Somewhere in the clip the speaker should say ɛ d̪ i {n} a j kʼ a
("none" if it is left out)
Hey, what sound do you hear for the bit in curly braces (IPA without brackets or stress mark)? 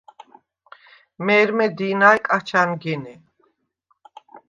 n